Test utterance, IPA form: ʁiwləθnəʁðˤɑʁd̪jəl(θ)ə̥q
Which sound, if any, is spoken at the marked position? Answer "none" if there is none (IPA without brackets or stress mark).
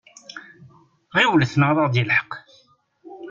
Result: ħ